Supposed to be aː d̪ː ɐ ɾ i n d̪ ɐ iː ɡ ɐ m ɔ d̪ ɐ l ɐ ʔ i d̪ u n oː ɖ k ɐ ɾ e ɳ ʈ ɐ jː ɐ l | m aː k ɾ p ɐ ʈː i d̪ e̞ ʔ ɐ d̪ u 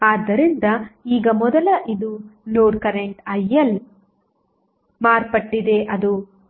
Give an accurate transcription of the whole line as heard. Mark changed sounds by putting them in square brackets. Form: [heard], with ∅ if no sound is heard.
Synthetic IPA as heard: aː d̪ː ɐ ɾ i n d̪ ɐ iː ɡ ɐ m ɔ d̪ ɐ l ɐ ʔ i d̪ u n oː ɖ k ɐ ɾ e ɳ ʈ ɐ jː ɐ l | m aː [∅] ɾ p ɐ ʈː i d̪ e̞ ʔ ɐ d̪ u